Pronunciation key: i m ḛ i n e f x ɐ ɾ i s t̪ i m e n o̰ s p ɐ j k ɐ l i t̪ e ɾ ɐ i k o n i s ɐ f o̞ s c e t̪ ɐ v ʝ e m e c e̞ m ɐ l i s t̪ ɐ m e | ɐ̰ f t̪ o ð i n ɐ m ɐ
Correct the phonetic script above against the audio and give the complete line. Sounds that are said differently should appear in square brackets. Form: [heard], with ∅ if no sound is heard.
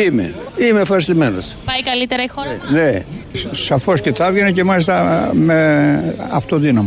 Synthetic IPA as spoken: i m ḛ i [m] e f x ɐ ɾ i s t̪ i m e n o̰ s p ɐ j k ɐ l i t̪ e ɾ ɐ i [x] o n [e] s ɐ f o̞ s c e t̪ ɐ v ʝ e [n] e c e̞ m ɐ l i s t̪ ɐ m e | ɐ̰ f t̪ o ð i n ɐ m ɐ